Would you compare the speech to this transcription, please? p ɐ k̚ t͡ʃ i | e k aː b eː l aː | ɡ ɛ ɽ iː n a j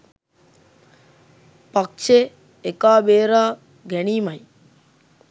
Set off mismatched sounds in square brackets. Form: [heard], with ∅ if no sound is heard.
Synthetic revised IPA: p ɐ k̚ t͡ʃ [e] | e k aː b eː [ɾ] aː | ɡ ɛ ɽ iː [m] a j